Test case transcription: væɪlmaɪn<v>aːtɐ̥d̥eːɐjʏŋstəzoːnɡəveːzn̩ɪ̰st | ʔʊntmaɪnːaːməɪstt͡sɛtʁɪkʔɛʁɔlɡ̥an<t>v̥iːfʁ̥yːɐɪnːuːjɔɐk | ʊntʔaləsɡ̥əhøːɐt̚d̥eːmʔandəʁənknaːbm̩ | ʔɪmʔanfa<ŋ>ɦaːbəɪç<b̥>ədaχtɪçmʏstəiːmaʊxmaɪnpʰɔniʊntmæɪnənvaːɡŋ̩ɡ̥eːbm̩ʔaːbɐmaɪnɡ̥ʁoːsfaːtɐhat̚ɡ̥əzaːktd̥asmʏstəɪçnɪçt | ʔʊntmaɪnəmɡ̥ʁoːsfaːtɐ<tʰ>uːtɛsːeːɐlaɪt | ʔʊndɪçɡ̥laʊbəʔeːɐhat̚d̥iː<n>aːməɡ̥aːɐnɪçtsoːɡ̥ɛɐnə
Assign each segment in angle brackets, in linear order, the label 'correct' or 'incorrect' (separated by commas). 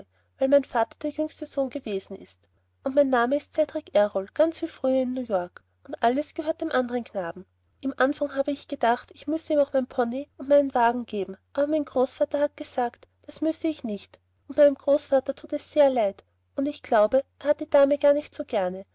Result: incorrect, incorrect, correct, incorrect, correct, incorrect